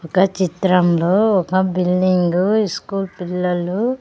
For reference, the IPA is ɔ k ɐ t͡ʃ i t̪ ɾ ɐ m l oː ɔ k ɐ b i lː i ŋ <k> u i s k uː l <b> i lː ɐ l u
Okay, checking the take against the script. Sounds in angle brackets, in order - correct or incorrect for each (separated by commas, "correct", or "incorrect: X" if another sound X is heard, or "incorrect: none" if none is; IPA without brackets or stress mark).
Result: incorrect: ɡ, incorrect: p